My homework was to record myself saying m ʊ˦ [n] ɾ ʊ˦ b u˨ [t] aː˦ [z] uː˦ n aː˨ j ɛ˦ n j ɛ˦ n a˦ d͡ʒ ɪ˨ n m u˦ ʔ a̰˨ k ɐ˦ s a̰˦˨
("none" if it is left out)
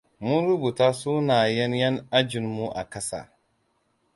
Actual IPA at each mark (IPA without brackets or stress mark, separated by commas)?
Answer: n, t, s